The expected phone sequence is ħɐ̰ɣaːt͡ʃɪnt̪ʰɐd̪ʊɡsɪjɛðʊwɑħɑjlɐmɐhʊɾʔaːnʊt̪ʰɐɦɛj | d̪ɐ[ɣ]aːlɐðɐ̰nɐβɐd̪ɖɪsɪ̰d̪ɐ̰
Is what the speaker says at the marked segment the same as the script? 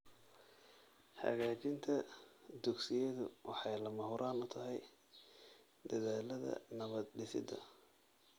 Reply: no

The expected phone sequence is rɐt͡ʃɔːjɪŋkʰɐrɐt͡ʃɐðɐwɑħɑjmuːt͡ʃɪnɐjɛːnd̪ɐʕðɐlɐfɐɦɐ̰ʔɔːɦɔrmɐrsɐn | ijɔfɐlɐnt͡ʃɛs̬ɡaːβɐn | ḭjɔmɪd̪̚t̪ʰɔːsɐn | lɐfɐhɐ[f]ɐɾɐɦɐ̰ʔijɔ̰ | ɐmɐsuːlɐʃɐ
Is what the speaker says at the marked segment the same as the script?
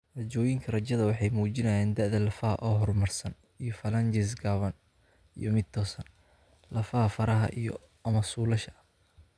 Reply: yes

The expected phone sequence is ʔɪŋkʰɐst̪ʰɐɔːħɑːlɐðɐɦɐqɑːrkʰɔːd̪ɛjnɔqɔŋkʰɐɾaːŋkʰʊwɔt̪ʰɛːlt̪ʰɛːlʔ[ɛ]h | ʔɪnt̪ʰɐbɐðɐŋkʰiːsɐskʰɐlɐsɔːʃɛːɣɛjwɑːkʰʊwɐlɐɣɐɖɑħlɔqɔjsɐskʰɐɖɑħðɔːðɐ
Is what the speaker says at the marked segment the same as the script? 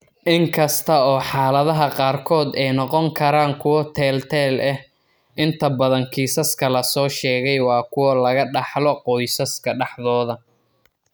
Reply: yes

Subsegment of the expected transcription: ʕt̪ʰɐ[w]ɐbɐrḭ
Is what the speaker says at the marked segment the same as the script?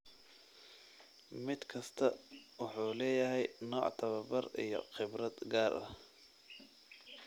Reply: no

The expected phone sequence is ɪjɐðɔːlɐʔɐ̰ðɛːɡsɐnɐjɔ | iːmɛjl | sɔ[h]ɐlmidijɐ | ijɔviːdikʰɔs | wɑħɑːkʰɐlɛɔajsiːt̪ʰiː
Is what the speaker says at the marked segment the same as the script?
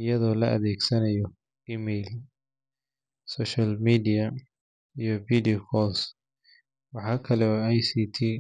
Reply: no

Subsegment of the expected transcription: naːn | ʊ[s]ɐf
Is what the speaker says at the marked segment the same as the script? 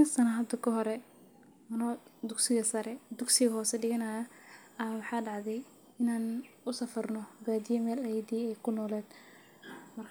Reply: yes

